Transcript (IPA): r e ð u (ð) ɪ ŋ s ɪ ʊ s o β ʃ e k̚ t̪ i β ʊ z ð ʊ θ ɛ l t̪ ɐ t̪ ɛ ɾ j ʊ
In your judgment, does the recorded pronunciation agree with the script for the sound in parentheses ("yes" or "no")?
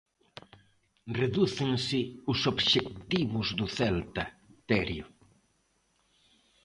no